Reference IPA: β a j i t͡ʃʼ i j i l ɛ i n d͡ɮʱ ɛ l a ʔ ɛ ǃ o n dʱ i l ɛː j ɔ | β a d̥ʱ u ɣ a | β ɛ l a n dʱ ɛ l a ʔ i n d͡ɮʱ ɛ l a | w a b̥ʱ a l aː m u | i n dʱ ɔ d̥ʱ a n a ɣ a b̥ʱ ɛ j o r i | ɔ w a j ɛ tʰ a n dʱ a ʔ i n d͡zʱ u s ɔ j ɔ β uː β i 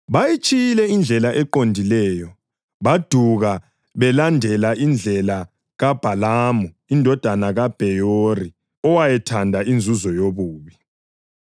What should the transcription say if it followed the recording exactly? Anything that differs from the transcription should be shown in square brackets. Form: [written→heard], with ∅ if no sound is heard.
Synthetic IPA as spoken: β a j i t͡ʃʼ i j i l ɛ i n d͡ɮʱ ɛ l a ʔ ɛ ǃ o n dʱ i l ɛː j ɔ | β a d̥ʱ u ɣ a | β ɛ l a n dʱ ɛ l a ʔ i n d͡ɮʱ ɛ l a | [w→ɣ] a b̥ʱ a l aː m u | i n dʱ ɔ d̥ʱ a n a ɣ a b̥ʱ ɛ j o r i | ɔ w a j ɛ tʰ a n dʱ a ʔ i n d͡zʱ u [s→z] ɔ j [ɔ→o] β uː β i